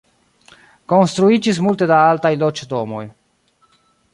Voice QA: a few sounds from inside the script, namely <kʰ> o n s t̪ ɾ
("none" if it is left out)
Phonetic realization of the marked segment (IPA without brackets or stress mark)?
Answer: k